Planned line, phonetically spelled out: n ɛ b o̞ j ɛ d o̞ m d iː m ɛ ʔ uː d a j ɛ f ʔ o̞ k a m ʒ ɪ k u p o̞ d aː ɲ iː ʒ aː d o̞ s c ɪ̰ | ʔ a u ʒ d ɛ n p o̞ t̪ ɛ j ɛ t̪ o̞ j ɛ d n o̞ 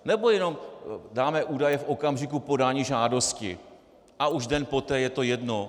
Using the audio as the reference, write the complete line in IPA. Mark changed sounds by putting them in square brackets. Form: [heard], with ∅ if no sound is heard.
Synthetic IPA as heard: n ɛ b o̞ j ɛ [n] o̞ m d [aː] m ɛ ʔ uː d a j ɛ f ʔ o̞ k a m ʒ ɪ k u p o̞ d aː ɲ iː ʒ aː d o̞ s c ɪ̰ | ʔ a u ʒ d ɛ n p o̞ t̪ [ɛː] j ɛ t̪ o̞ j ɛ d n o̞